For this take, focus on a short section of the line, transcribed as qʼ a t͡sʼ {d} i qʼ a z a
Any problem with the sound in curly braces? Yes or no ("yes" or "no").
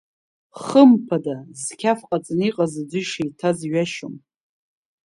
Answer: yes